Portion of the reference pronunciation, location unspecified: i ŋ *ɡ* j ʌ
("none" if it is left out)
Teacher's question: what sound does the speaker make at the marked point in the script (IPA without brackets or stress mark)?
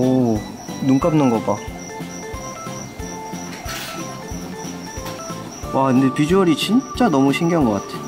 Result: ɡ